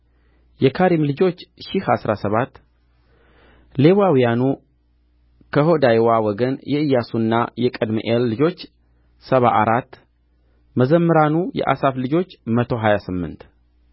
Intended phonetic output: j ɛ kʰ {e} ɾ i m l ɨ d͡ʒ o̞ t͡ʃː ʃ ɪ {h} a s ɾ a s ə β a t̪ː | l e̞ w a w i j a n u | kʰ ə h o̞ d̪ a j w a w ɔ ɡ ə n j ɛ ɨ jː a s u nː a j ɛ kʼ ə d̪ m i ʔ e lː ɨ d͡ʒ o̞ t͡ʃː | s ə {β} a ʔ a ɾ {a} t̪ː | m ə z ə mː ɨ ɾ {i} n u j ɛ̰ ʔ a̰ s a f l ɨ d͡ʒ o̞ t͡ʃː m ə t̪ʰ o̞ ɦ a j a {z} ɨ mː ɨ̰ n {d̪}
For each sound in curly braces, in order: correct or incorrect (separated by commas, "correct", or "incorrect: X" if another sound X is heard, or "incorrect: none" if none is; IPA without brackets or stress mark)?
incorrect: a, correct, correct, correct, incorrect: a, incorrect: s, incorrect: t̪